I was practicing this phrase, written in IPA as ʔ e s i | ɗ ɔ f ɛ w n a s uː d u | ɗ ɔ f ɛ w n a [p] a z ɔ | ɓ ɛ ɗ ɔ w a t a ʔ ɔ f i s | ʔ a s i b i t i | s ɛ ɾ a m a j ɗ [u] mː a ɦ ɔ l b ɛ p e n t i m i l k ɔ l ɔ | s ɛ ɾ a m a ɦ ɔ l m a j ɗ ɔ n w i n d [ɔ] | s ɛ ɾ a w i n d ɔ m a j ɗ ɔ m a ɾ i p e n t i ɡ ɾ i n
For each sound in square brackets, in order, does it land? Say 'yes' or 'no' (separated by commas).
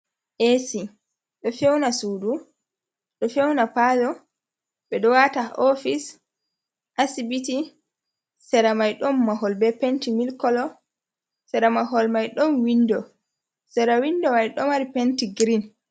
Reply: yes, no, yes